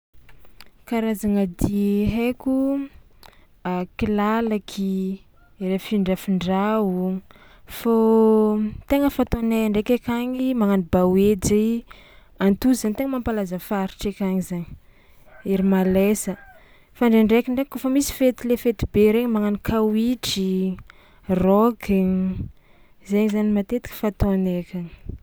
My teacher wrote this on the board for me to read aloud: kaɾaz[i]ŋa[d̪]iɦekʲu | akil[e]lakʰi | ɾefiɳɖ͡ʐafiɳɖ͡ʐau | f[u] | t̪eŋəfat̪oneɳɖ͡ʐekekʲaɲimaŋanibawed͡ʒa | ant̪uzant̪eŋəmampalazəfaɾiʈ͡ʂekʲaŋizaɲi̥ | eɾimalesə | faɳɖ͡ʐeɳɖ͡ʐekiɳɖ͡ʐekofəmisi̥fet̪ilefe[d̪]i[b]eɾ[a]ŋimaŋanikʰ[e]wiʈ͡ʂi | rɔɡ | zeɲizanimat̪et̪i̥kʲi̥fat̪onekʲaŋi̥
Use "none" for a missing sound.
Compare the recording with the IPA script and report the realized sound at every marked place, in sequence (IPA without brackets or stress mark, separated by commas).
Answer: a, d̪, a, o, t̪, b, e, a